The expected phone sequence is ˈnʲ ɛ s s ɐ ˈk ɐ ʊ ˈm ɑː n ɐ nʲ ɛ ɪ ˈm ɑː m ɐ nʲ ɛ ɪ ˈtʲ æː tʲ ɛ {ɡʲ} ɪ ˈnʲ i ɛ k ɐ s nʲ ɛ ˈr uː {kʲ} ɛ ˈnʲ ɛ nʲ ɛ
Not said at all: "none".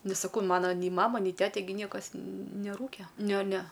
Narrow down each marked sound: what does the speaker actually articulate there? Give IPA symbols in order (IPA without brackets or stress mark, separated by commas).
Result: ɡʲ, kʲ